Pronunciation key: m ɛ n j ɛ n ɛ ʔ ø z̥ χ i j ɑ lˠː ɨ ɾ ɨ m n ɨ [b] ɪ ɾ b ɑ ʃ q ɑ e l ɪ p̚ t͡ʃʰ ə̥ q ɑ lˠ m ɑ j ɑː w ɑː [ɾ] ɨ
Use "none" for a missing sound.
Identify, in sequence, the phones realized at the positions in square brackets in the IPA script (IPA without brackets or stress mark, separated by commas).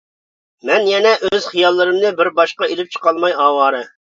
b, ɾ